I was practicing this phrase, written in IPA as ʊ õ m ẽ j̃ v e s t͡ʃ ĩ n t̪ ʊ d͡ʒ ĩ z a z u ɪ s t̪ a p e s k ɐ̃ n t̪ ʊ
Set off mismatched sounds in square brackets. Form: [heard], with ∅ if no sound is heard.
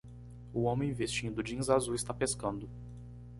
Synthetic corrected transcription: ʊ õ m ẽ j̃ v e s t͡ʃ ĩ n [d̪] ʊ d͡ʒ ĩ z a z u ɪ s t̪ a p e s k ɐ̃ n [d̪] ʊ